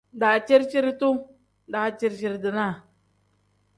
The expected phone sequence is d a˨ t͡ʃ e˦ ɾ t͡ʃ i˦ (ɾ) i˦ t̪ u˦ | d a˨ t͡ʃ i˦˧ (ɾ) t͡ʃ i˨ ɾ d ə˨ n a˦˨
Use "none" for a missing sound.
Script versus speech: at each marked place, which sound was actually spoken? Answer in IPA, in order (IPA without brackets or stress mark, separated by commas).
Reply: ɾ, ɾ